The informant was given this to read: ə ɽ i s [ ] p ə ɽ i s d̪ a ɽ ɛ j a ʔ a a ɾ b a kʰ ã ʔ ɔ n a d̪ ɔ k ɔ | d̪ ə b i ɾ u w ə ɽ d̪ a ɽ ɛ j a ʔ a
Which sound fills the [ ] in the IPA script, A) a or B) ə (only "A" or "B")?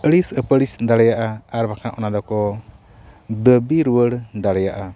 B